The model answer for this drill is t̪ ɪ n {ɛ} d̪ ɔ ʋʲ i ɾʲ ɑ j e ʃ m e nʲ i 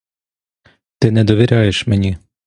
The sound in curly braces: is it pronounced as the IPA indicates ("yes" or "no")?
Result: yes